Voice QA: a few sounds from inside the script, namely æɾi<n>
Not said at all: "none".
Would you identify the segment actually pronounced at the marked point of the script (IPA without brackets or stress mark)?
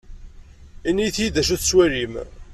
m